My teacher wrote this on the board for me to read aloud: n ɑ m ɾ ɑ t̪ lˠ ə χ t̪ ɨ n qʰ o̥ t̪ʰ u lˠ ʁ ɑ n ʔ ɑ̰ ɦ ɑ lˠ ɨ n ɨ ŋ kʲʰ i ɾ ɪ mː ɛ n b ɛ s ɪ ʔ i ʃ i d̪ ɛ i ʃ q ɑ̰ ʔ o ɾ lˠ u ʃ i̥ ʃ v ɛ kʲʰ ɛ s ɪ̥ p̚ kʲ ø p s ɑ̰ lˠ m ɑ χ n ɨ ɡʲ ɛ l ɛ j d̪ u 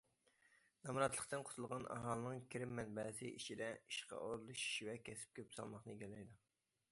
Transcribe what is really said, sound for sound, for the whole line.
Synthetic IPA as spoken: n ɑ m ɾ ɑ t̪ lˠ ə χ t̪ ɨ n qʰ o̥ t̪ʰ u lˠ ʁ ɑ n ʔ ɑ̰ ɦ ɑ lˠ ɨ n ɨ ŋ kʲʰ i ɾ ɪ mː ɛ n b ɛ s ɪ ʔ i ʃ i d̪ ɛ i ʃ q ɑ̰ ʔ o ɾ lˠ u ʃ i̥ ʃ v ɛ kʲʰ ɛ s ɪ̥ p̚ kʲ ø p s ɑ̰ lˠ m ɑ χ n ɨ ɡʲ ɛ l ɛ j d̪ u

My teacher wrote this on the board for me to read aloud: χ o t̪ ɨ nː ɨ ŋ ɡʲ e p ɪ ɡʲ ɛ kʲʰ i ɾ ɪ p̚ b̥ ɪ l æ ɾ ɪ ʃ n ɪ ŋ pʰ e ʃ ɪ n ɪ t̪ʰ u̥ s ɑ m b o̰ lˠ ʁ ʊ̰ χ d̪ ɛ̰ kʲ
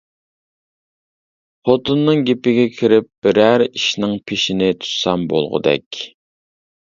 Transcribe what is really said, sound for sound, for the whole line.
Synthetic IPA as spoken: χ o t̪ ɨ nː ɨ ŋ ɡʲ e p ɪ ɡʲ ɛ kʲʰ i ɾ ɪ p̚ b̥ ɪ ɾ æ ɾ i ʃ n ɪ ŋ pʰ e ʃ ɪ n ɪ t̪ʰ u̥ s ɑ m b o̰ lˠ ʁ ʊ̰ d̪ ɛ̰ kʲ

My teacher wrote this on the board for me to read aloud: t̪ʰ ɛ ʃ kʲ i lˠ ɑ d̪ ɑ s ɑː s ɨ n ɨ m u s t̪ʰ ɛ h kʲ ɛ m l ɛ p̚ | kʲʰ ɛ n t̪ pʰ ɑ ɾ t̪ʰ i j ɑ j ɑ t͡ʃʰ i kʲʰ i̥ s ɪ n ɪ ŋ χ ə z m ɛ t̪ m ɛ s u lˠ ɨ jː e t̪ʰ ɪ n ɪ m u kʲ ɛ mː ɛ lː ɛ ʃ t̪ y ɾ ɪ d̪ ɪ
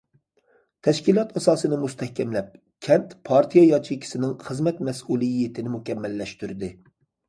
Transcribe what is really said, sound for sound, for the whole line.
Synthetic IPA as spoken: t̪ʰ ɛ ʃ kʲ i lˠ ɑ t̪ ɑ s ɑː s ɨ n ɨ m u s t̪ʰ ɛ h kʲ ɛ m l ɛ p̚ | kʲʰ ɛ n t̪ pʰ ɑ ɾ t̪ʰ i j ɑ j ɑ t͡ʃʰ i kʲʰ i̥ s ɪ n ɪ ŋ χ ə z m ɛ t̪ m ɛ s u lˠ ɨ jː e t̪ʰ ɪ n ɪ m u kʲ ɛ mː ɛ lː ɛ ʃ t̪ y ɾ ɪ d̪ ɪ

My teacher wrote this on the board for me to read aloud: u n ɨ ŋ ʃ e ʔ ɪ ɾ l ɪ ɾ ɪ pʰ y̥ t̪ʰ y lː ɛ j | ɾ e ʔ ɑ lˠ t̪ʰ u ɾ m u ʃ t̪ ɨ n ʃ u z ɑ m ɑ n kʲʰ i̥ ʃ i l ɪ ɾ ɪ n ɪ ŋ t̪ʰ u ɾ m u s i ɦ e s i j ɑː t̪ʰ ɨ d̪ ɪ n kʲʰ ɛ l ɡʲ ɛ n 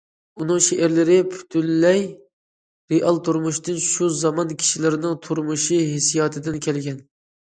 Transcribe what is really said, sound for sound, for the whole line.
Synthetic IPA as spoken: u n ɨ ŋ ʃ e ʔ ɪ ɾ l ɪ ɾ ɪ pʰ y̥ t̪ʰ y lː ɛ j | ɾ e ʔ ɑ lˠ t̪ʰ u ɾ m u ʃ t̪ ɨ n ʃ u z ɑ m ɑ n kʲʰ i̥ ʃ i l ɪ ɾ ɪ n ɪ ŋ t̪ʰ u ɾ m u ʃ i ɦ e s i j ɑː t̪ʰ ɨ d̪ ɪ n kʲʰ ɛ l ɡʲ ɛ n

